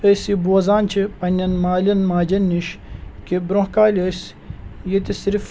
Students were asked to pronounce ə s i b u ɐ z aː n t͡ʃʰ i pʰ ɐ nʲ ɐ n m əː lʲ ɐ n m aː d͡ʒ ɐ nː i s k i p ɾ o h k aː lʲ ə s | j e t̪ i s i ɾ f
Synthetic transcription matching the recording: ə s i b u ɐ z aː n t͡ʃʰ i p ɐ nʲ ɐ n m aː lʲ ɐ n m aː d͡ʒ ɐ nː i ʃ k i b ɾ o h k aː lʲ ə s | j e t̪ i s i ɾ f